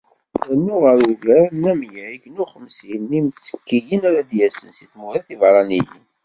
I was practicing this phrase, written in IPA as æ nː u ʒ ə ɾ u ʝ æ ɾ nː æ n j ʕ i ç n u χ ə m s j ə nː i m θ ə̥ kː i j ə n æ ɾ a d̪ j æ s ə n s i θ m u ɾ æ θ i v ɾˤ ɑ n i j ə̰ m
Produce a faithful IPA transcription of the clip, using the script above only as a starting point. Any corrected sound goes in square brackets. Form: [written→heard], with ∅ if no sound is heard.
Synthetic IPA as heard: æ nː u [ʒ→ʁ] ə ɾ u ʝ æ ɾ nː æ [n→m] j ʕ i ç n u χ ə m s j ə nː i m [θ→s] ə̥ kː i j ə n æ ɾ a d̪ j æ s ə n s i θ m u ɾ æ θ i v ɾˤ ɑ n i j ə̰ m